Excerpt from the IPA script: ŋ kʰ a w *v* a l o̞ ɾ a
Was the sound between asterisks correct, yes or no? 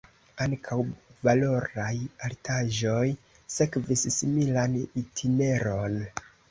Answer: yes